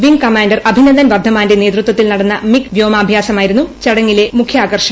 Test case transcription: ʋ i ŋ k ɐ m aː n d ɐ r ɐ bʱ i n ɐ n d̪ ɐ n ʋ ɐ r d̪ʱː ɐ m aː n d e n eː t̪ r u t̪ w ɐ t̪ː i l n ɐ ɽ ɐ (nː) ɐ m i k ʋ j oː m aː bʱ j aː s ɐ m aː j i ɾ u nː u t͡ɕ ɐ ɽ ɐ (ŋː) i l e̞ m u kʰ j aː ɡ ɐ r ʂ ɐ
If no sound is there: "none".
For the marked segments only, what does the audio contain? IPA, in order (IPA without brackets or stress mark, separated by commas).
nː, ŋː